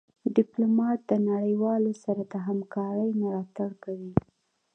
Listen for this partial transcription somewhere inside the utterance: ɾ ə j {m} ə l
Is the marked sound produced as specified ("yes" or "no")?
yes